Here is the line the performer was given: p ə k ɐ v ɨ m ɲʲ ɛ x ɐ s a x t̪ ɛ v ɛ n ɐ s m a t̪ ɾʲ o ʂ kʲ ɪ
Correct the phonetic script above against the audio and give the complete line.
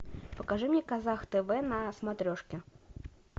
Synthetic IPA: p ə k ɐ ʐ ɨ m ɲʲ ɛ k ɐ z a x t̪ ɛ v ɛ n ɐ s m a t̪ ɾʲ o ʂ kʲ ɪ